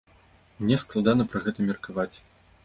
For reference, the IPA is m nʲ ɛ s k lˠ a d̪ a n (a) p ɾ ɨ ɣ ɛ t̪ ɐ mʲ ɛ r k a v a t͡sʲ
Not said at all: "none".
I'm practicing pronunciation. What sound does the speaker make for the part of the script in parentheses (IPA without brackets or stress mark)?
ɐ